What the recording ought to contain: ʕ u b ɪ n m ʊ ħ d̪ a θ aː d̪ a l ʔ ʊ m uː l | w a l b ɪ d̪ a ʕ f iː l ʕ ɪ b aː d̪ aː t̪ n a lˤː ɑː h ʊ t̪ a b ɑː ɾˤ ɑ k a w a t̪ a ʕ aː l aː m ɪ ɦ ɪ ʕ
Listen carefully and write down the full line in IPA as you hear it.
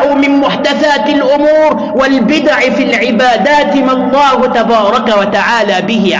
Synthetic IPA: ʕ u m ɪ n m ʊ ħ d̪ a θ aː t̪ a l ʔ ʊ m uː ɾ | w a l b ɪ d̪ a ʕ f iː l ʕ ɪ b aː d̪ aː t̪ m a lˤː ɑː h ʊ t̪ a b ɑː ɾˤ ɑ k a w a t̪ a ʕ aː l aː b ɪ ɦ ɪ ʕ